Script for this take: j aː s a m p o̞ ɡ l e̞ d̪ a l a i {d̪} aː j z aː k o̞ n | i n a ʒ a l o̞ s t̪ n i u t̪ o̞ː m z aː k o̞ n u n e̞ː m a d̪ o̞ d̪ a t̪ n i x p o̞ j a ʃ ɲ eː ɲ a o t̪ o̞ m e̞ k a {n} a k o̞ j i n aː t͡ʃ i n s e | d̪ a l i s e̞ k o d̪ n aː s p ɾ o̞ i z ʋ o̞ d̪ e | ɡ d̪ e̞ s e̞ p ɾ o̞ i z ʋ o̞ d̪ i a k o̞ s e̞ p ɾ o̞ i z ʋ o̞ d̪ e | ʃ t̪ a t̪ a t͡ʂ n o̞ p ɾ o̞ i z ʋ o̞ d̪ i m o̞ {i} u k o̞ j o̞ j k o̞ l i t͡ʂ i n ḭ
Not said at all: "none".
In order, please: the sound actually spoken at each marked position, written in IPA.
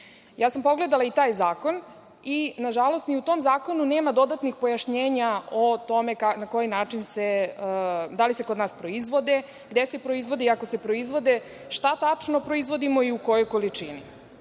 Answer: t̪, n, i

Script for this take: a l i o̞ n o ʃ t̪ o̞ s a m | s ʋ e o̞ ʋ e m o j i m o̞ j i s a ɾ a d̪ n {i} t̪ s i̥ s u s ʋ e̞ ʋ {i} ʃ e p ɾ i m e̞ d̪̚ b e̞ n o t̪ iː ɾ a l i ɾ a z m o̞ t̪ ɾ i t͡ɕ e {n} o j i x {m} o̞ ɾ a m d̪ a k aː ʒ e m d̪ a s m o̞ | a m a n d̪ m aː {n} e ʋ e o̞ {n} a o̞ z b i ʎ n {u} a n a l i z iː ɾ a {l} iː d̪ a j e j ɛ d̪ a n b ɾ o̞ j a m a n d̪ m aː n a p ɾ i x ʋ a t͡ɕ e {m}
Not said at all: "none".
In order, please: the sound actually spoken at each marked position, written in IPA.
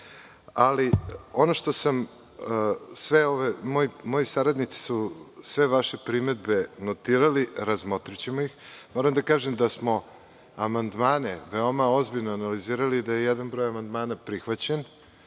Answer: i, a, m, m, n, m, o, l, n

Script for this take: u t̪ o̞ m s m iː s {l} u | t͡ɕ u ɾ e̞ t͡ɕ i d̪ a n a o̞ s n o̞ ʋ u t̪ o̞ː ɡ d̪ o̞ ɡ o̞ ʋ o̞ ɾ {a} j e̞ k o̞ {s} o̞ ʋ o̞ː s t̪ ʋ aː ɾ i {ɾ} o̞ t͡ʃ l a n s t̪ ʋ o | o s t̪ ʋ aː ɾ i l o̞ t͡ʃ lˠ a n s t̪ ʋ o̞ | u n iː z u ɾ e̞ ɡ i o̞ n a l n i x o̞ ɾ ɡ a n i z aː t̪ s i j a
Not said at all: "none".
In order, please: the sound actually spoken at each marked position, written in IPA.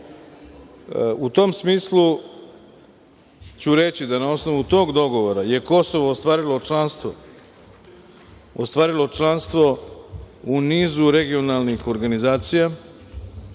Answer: l, a, s, l

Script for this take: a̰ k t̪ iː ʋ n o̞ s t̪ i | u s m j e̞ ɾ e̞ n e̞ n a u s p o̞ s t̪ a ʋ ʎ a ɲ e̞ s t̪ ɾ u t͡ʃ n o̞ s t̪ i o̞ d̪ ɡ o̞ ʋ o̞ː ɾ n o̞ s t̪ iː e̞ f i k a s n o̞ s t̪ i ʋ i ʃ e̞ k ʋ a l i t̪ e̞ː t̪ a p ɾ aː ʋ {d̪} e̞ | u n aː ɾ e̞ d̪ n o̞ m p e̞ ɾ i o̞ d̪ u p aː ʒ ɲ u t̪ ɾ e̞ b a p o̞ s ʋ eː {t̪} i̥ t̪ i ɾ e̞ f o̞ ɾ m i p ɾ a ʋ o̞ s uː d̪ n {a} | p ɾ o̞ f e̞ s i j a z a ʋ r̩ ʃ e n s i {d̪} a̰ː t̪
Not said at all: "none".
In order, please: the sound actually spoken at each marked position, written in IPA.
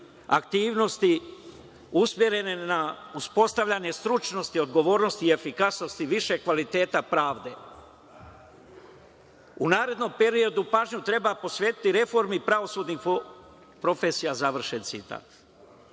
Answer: d̪, t̪, i, t̪

